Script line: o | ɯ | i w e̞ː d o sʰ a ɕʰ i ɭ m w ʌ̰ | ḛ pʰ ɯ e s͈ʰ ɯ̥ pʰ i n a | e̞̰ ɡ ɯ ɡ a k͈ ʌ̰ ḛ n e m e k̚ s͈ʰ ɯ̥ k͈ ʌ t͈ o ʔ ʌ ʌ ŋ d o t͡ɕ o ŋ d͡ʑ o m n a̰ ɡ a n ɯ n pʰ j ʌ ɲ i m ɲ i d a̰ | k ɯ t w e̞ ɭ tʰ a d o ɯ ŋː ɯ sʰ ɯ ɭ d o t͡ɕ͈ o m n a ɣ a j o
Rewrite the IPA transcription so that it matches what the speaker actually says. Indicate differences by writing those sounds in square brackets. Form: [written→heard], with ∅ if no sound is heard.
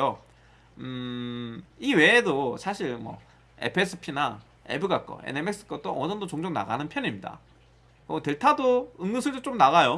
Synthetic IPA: o | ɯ | i w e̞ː d o sʰ a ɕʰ i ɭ m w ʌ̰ | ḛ pʰ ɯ e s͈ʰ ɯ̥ pʰ i n a | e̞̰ [ɡ→b] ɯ ɡ a k͈ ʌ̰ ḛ n e m e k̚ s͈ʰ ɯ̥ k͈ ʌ t͈ o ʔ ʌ ʌ [ŋ→n] d o t͡ɕ o ŋ d͡ʑ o [m→ŋ] n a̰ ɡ a n ɯ n pʰ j ʌ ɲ i m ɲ i d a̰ | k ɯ t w e̞ ɭ tʰ a d o ɯ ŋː ɯ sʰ ɯ ɭ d o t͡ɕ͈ o m n a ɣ a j o